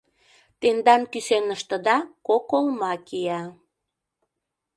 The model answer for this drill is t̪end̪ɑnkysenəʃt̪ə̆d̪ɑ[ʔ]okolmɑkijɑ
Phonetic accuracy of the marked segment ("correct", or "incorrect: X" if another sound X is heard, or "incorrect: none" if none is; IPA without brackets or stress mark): incorrect: k